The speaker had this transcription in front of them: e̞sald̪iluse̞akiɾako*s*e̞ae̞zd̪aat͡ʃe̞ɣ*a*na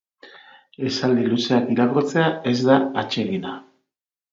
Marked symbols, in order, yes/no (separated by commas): no, no